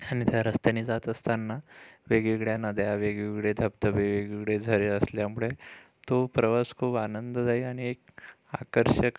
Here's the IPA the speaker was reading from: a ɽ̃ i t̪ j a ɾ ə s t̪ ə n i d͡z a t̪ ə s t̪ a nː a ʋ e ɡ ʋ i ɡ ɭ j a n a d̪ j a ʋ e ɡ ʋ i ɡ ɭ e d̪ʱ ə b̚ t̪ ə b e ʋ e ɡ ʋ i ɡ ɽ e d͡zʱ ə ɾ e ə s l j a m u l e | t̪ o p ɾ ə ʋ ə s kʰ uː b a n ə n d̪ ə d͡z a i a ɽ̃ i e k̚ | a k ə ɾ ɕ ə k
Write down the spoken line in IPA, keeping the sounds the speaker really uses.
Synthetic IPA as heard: a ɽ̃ i t̪ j a ɾ ə s t̪ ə n i d͡z a t̪ ə s t̪ a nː a ʋ e ɡ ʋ i ɡ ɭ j a n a d̪ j a ʋ e ɡ ʋ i ɡ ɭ e d̪ʱ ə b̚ t̪ ə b e ʋ e ɡ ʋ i ɡ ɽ e d͡zʱ ə ɾ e ə s l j a m u ɭ e | t̪ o p ɾ ə ʋ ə s kʰ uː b a n ə n d̪ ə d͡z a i a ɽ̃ i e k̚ | a k ə ɾ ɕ ə k